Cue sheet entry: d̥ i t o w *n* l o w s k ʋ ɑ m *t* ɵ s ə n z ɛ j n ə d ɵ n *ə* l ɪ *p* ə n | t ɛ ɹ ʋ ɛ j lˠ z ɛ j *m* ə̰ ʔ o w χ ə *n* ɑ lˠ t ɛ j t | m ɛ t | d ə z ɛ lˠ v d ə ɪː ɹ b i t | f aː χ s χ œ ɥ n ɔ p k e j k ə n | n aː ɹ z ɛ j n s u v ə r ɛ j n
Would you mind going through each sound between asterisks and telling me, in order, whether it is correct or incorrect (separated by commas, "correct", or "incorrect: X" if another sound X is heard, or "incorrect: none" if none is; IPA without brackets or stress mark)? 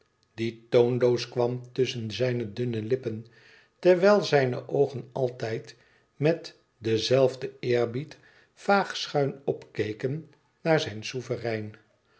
correct, correct, correct, correct, incorrect: n, correct